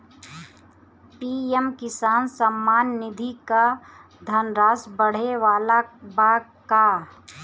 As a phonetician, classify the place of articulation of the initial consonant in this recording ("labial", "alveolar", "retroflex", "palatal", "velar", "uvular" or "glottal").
labial